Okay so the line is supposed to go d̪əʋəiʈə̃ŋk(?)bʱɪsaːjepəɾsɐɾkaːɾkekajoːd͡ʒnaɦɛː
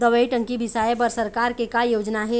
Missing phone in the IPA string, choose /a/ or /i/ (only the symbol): i